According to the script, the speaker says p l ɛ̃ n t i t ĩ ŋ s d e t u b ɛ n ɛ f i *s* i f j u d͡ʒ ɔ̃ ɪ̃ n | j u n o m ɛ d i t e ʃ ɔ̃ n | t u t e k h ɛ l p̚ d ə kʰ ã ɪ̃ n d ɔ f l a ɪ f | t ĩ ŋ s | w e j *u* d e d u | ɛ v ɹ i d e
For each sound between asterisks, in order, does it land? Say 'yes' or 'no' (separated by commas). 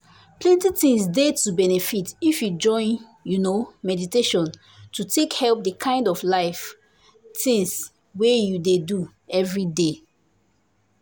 no, yes